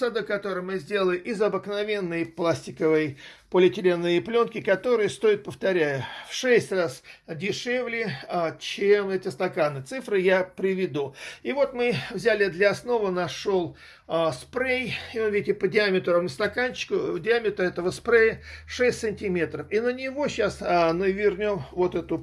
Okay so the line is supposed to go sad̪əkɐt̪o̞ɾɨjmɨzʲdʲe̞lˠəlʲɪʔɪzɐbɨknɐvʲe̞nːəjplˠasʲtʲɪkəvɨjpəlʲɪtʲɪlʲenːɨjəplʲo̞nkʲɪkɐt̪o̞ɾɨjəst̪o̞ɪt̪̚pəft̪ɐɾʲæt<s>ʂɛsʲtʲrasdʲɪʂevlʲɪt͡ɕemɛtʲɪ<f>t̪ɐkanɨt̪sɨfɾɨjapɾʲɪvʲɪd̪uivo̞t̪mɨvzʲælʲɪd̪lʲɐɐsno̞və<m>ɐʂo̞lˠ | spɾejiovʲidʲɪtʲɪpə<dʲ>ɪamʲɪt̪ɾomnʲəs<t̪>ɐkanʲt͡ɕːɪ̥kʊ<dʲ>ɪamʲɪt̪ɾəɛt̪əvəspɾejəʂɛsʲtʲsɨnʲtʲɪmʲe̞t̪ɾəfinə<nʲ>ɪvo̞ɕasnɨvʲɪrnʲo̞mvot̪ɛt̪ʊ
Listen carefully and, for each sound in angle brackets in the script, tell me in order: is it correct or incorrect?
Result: incorrect, incorrect, incorrect, correct, correct, correct, correct

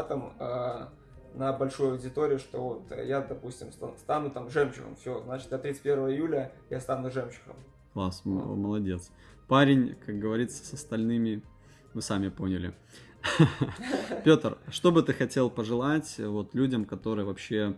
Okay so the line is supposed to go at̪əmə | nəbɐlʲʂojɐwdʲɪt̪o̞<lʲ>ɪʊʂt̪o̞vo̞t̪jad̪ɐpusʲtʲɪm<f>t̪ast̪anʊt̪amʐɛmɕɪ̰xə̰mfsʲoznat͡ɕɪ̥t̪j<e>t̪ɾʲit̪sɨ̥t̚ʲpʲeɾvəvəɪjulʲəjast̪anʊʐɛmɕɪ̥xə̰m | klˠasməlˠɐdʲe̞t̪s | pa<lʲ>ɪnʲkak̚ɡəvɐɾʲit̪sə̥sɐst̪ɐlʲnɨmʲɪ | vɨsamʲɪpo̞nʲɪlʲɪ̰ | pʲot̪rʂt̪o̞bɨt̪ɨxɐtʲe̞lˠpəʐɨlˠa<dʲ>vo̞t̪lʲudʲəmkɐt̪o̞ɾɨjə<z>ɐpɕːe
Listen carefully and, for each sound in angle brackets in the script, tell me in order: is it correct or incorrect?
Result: incorrect, incorrect, incorrect, incorrect, incorrect, incorrect

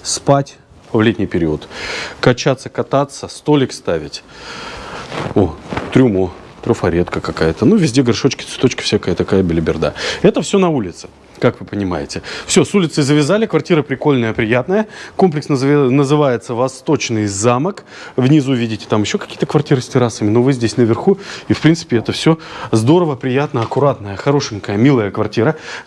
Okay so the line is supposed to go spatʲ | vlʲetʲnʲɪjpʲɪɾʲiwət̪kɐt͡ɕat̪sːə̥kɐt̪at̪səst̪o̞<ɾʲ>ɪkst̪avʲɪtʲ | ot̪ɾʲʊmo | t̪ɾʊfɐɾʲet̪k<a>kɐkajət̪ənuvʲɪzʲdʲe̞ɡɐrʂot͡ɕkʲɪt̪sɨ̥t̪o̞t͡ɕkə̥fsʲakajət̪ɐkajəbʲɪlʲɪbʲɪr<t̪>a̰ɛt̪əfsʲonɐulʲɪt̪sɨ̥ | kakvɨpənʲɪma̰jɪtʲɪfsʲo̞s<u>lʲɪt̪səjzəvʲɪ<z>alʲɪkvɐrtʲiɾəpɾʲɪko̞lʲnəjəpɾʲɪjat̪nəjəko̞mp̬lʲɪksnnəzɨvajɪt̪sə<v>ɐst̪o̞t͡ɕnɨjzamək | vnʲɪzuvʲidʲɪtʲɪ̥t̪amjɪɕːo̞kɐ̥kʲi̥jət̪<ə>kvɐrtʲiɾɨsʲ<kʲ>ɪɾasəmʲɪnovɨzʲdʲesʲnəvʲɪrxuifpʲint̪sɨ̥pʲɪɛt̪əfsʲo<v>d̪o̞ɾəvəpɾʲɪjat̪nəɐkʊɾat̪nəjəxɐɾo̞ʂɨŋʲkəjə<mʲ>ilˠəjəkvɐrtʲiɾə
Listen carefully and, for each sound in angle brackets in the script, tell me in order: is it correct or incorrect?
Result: incorrect, incorrect, incorrect, correct, correct, correct, correct, incorrect, incorrect, correct

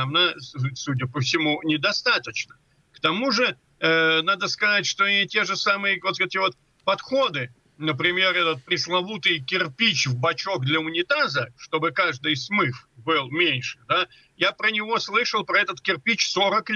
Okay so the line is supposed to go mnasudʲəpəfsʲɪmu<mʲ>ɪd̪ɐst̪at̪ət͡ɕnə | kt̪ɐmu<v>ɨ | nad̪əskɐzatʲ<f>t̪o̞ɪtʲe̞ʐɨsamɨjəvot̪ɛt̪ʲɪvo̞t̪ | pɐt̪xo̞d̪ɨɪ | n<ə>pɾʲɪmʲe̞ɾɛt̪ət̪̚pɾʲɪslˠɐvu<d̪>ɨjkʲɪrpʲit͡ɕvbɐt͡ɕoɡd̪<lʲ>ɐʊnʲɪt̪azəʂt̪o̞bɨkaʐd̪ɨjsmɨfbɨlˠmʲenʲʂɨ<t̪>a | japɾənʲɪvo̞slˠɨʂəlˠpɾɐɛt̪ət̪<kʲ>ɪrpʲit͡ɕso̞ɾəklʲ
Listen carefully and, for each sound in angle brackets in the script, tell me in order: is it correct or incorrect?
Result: incorrect, incorrect, incorrect, correct, incorrect, correct, incorrect, correct

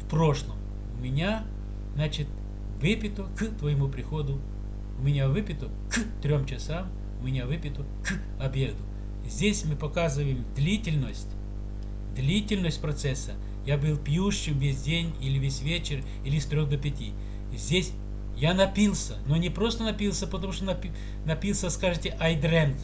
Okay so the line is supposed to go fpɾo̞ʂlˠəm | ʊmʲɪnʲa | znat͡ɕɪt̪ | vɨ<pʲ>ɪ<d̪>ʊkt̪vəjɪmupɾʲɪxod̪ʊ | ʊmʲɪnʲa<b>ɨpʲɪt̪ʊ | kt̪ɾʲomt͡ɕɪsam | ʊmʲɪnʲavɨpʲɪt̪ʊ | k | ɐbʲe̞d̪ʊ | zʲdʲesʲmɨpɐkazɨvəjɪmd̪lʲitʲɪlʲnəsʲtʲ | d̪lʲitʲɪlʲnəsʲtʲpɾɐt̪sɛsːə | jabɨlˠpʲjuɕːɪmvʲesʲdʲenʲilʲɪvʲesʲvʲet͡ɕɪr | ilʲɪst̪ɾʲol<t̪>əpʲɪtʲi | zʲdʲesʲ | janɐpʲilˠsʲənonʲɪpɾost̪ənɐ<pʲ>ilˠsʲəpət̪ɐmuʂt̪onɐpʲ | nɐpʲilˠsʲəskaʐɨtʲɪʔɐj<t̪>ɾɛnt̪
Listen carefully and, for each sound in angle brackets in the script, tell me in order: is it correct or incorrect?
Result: correct, incorrect, incorrect, incorrect, correct, incorrect

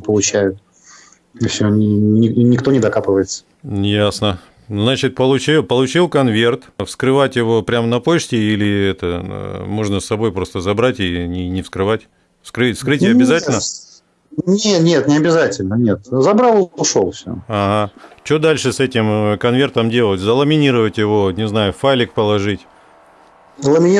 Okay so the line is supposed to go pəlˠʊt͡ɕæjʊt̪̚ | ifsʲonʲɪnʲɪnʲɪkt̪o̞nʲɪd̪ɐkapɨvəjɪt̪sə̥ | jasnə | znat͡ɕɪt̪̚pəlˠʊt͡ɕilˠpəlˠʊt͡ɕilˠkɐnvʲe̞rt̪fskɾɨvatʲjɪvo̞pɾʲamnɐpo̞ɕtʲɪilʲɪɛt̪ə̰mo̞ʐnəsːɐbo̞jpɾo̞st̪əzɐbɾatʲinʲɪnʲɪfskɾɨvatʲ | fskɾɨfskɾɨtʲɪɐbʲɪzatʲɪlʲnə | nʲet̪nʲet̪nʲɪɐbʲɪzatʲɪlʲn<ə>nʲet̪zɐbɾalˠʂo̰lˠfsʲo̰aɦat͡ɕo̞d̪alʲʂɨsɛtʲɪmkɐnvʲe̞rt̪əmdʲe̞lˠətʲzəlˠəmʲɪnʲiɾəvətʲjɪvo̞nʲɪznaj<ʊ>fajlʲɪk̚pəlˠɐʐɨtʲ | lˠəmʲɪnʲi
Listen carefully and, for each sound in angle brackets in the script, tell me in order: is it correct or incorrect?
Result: correct, correct

